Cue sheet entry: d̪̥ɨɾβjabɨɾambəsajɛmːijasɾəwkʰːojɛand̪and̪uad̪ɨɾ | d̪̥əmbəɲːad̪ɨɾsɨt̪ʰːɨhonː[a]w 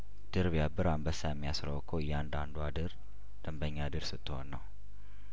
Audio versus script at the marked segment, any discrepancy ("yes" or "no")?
yes